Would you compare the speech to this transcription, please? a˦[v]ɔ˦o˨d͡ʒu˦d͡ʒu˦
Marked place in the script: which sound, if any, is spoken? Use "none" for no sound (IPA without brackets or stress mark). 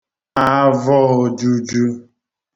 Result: v